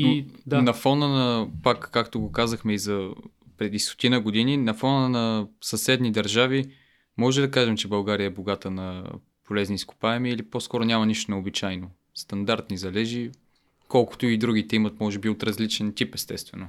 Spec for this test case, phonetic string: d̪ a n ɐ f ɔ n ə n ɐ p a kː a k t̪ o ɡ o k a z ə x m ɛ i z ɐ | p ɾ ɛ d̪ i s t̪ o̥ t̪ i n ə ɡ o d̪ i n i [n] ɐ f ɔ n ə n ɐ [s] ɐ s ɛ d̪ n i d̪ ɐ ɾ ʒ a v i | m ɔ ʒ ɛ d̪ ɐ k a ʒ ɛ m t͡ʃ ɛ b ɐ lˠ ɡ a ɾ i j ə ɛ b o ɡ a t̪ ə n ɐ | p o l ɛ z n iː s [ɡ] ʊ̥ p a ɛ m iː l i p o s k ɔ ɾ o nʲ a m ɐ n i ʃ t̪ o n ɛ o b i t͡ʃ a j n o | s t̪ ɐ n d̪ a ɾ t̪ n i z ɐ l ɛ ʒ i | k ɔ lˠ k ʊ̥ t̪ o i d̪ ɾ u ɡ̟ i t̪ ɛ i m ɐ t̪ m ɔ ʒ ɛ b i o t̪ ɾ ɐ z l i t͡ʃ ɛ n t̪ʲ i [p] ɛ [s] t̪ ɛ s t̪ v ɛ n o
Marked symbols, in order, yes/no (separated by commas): yes, yes, no, yes, yes